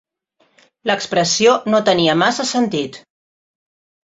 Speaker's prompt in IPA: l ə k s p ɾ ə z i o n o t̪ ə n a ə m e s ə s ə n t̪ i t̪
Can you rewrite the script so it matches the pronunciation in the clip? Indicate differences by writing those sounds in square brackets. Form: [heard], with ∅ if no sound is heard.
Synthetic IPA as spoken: l ə k s p ɾ ə [s] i o n o t̪ ə n [i] ə m [a] s ə s ə n t̪ i t̪